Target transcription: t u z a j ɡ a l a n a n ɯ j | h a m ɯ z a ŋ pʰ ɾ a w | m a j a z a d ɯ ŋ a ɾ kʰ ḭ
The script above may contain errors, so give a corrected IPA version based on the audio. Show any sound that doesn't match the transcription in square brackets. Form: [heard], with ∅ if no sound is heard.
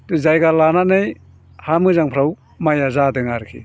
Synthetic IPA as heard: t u z a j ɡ a l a n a n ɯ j | h a m ɯ z a ŋ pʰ ɾ a w | m a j a z a d ɯ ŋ a ɾ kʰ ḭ